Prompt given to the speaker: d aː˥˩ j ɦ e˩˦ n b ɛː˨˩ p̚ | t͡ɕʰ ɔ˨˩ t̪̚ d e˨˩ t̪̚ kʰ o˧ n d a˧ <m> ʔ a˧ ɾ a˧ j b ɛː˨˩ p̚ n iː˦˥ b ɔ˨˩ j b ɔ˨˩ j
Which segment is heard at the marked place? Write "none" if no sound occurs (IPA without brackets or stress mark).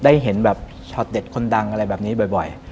ŋ